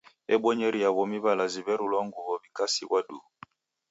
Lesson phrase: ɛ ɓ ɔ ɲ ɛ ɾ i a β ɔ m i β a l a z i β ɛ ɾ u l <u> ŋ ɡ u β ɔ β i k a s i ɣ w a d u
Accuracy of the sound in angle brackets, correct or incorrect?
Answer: incorrect